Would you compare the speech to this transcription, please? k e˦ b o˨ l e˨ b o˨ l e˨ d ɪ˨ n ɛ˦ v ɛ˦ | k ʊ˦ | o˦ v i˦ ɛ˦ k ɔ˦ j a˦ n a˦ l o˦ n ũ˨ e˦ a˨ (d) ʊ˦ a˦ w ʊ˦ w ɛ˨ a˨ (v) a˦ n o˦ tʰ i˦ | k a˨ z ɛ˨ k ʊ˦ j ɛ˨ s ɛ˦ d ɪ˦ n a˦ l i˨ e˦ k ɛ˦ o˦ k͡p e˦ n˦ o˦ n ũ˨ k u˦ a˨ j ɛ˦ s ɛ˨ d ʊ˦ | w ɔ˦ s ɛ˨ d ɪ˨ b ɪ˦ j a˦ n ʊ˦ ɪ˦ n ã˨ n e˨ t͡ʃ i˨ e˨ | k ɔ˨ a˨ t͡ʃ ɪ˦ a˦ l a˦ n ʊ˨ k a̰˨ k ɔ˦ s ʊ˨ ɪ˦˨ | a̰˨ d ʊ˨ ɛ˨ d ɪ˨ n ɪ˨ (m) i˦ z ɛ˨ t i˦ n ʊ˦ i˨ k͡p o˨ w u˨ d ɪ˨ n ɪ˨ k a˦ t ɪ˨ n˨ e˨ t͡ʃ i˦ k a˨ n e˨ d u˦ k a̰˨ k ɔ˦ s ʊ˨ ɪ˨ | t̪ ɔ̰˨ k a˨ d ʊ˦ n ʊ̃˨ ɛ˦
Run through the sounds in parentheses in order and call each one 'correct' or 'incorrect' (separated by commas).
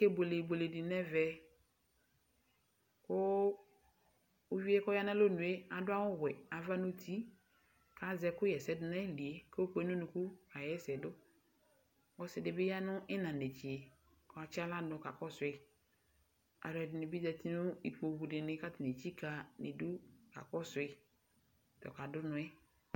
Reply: correct, correct, incorrect